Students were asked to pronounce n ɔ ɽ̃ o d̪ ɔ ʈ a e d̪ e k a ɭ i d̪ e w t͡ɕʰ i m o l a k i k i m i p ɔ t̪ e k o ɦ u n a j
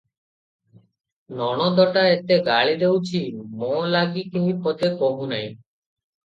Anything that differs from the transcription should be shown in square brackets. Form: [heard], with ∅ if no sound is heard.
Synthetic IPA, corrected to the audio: n ɔ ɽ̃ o d̪ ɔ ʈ a e [t̪] e [ɡ] a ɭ i d̪ e w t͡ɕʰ i m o l a [ɡ] i k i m i p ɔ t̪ e k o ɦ u n a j